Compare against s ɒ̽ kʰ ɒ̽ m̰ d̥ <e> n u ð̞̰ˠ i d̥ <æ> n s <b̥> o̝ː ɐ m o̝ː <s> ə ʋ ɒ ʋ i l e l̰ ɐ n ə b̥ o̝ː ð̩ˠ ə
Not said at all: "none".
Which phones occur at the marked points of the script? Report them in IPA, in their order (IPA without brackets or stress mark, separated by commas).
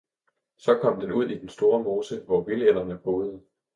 e, e, d̥, s